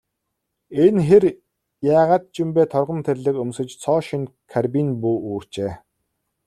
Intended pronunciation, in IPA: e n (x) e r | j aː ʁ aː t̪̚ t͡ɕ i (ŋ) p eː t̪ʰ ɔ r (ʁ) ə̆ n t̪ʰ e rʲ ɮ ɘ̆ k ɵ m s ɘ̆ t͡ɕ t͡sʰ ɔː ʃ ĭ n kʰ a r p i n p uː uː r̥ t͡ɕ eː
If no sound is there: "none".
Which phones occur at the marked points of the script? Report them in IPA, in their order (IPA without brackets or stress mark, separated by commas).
x, m, ʁ